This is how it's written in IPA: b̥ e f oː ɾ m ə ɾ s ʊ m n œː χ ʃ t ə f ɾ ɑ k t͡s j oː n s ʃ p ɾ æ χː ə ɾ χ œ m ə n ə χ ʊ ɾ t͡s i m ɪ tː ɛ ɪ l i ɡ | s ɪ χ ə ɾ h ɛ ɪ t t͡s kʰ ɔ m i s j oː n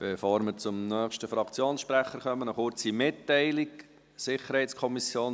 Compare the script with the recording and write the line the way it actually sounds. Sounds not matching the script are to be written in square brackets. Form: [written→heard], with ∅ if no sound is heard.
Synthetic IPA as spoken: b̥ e f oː ɾ m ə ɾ [s→t͡s] ʊ m n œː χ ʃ t ə f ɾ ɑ k t͡s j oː n s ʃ p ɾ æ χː ə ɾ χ œ m ə n ə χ ʊ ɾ t͡s i m ɪ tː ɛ ɪ l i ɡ | s ɪ χ ə ɾ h ɛ ɪ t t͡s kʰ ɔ m i s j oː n